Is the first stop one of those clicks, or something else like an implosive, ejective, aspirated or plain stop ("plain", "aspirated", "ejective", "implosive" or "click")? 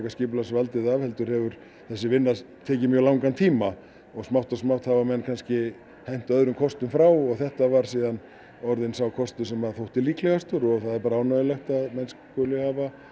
plain